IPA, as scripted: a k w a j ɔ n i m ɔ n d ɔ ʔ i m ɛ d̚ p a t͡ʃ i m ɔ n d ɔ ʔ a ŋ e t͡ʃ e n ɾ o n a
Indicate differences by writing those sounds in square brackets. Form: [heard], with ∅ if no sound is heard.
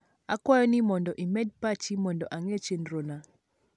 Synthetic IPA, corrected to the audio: a k w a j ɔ n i m ɔ n d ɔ ʔ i m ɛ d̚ p a t͡ʃ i m ɔ n d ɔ ʔ a ŋ e t͡ʃ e n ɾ o n a